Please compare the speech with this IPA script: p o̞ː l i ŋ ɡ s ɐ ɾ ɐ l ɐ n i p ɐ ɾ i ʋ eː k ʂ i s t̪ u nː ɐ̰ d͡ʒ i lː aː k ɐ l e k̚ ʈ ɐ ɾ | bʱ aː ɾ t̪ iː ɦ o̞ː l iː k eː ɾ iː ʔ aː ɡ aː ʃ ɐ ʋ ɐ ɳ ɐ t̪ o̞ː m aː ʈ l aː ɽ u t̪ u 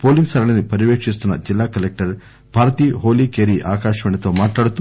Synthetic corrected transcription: p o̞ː l i ŋ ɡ s ɐ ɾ ɐ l ɐ n i p ɐ ɾ i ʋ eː k ʂ i s t̪ u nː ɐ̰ d͡ʒ i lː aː k ɐ l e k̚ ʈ ɐ ɾ | bʱ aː ɾ t̪ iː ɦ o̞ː l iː k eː ɾ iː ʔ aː k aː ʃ ɐ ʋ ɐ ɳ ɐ t̪ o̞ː m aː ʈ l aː ɽ u t̪ u